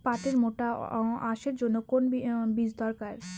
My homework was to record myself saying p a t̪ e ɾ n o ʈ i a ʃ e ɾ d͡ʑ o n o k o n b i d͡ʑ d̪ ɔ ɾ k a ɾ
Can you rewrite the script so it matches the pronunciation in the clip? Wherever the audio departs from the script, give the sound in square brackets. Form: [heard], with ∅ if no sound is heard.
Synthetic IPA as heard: p a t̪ e ɾ [m] o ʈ [a] a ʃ e ɾ d͡ʑ o [nː] o k o n b i d͡ʑ d̪ ɔ ɾ k a ɾ